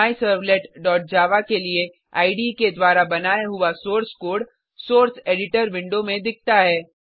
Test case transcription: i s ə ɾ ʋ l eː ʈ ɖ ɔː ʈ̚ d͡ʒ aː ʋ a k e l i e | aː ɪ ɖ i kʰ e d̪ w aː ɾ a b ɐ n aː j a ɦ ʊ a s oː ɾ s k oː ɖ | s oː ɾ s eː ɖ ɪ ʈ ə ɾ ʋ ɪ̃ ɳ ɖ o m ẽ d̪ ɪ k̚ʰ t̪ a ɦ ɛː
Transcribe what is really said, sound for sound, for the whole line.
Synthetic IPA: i s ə ɾ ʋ l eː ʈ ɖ ɔː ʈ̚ d͡ʒ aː ʋ a k e l i e | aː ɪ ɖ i k e d̪ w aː ɾ a b ɐ n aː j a ɦ ʊ a s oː ɾ s k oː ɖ | s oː ɾ s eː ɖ ɪ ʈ ə ɾ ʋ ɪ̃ ɳ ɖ o m ẽ d̪ ɪ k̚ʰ t̪ a ɦ ɛː